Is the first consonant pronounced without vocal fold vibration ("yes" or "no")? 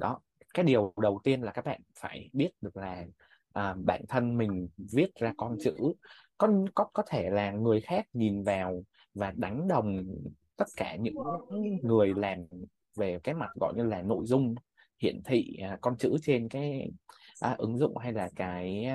no